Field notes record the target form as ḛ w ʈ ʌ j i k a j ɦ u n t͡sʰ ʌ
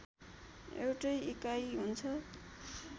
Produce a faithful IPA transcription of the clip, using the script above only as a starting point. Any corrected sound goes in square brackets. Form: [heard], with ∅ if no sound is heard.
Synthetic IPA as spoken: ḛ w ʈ ʌ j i k a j ɦ u n t͡sʰ ʌ